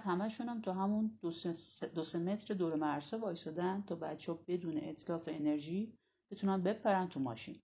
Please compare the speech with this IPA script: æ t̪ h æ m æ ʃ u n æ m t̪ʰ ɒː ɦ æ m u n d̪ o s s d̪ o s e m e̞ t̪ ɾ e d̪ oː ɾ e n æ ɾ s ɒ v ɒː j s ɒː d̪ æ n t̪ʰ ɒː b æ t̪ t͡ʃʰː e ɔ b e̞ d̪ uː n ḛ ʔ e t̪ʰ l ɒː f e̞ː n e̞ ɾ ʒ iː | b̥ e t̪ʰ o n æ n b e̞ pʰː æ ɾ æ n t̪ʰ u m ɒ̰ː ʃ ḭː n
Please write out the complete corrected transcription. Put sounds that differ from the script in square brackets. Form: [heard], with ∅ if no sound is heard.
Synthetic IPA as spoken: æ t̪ h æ m æ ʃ u n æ m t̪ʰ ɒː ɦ æ m u n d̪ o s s d̪ o s e m e̞ t̪ ɾ e d̪ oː ɾ e [m] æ ɾ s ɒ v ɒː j s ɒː d̪ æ n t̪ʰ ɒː b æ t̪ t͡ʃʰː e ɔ b e̞ d̪ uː n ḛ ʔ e t̪ʰ l ɒː f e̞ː n e̞ ɾ ʒ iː | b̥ e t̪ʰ [u] n æ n b e̞ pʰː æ ɾ æ n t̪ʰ u m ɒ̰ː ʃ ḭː n